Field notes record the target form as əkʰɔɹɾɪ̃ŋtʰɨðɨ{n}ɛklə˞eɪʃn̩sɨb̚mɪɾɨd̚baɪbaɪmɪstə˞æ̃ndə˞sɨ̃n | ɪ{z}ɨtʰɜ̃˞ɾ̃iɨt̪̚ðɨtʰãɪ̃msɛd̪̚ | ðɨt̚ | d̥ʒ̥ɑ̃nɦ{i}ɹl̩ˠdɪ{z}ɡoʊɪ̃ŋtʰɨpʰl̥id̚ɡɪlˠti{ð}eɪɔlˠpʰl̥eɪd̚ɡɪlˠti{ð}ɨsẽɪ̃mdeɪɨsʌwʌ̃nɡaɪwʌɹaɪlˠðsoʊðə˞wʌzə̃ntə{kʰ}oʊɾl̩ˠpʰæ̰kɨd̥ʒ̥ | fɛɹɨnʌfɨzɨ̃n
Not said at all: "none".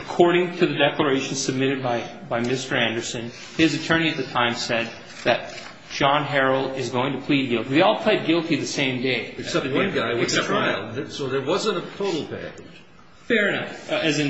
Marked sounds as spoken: d, z, ɛ, z, ð, ð, tʰ

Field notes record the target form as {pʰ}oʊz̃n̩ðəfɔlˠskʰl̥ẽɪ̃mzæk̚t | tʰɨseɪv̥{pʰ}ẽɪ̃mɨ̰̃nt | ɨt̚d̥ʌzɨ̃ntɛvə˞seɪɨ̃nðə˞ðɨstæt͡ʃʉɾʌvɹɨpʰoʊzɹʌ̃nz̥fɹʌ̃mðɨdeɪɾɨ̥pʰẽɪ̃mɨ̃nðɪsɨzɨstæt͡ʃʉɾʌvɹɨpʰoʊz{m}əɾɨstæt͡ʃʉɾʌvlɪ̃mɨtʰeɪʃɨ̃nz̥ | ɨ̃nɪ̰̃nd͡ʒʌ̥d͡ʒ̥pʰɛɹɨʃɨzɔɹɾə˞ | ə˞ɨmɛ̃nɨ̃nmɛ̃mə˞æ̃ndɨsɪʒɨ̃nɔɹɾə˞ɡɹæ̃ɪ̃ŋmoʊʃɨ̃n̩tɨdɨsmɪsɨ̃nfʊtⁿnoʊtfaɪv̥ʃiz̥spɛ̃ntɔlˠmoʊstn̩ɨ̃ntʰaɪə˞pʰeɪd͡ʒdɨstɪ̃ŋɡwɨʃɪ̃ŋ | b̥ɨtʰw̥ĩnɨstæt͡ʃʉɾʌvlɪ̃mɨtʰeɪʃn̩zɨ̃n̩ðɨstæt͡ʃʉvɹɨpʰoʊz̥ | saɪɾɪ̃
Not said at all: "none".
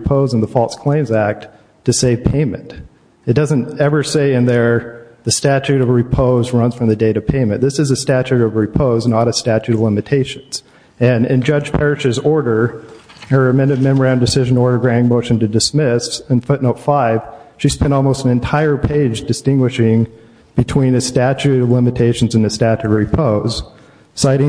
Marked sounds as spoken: pʰ, pʰ, n

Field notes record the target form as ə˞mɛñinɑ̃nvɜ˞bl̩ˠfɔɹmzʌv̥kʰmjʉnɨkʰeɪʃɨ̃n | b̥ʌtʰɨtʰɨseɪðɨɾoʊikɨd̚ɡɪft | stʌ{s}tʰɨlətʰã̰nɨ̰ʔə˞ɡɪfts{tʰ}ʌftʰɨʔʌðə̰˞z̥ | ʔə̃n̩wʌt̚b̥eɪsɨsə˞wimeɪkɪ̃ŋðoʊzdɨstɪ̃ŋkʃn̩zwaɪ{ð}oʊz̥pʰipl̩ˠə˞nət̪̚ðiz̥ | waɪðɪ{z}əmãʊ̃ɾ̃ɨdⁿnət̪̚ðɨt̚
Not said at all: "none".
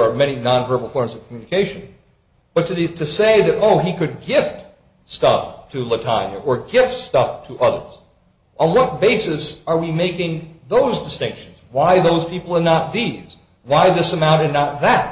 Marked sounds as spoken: f, t, ð, s

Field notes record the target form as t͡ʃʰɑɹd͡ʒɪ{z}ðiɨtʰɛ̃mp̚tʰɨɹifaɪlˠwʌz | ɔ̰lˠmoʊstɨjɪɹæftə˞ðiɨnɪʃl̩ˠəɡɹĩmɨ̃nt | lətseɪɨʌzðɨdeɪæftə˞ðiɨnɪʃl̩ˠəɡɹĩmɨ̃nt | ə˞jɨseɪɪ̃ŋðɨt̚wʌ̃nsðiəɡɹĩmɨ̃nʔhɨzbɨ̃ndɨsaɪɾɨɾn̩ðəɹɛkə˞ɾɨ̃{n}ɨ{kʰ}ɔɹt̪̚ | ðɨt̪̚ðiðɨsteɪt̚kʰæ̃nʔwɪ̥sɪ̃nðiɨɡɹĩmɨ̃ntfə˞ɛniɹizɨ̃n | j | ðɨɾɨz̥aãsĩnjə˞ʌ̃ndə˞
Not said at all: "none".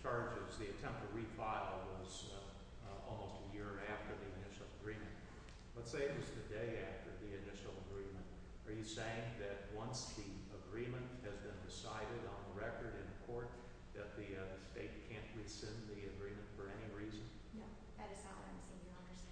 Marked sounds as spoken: z, n, kʰ

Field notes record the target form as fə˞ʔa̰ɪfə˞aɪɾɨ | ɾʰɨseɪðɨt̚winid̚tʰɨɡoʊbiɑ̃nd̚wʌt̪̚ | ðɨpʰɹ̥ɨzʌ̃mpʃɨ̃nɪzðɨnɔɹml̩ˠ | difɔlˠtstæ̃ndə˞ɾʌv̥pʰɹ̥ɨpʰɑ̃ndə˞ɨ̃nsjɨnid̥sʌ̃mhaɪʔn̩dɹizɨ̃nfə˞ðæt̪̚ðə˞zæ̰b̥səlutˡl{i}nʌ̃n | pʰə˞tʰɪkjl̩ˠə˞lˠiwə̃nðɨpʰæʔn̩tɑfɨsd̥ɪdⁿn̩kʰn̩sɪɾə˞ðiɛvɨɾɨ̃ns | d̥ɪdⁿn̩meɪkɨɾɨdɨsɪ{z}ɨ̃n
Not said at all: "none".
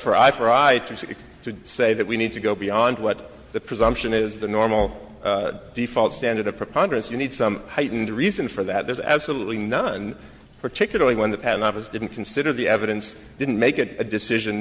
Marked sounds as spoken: i, ʒ

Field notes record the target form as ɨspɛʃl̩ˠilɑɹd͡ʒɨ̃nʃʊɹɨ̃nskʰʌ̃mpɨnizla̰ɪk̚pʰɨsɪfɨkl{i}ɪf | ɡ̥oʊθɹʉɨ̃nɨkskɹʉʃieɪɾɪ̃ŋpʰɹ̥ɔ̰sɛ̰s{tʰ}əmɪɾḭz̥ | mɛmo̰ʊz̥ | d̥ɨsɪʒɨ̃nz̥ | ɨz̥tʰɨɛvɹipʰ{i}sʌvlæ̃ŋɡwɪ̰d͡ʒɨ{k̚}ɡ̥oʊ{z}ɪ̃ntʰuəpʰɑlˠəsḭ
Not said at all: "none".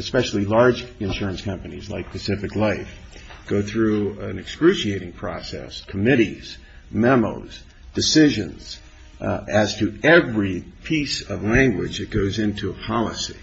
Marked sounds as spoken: a, kʰ, i, t̚, z

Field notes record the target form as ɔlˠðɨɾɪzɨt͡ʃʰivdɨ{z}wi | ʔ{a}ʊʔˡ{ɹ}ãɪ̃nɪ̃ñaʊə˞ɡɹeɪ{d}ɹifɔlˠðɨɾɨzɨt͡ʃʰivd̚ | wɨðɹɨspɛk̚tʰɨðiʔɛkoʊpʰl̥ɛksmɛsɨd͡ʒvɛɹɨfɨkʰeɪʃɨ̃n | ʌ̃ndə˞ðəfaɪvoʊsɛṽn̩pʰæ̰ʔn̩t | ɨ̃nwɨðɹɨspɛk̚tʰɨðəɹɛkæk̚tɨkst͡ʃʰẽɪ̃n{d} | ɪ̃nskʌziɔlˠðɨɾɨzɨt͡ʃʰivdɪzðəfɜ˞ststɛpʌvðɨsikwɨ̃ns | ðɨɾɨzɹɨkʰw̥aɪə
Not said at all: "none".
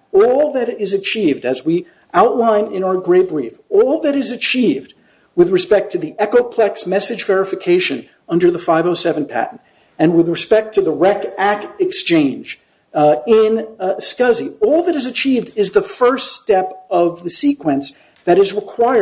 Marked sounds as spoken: z, a, l, b, d͡ʒ

